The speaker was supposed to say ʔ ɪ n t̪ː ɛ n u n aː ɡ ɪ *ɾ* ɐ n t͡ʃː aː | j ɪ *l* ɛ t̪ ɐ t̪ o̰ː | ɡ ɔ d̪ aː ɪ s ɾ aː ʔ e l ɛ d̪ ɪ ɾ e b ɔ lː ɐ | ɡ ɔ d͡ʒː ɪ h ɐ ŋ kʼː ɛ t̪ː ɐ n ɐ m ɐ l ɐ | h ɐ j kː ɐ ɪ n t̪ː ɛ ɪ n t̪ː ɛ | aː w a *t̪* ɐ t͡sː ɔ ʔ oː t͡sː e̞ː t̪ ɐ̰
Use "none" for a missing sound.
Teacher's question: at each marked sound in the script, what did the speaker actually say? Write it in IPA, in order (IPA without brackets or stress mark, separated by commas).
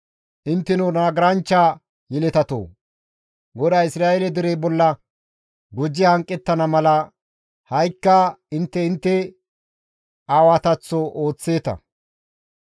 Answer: ɾ, l, t̪